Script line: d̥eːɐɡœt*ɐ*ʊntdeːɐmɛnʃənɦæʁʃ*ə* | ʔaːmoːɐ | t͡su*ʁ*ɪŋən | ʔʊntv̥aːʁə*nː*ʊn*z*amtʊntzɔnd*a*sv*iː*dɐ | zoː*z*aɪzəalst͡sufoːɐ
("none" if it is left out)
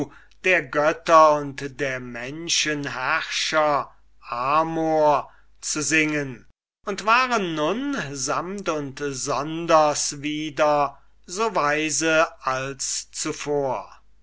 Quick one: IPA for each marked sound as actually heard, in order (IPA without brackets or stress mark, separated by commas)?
ɐ, ɐ, z, nː, z, ɐ, iː, v